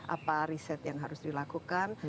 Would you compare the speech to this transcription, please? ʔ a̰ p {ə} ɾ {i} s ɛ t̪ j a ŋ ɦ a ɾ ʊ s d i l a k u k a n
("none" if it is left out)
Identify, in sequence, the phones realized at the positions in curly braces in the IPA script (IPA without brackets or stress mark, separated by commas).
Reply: a, i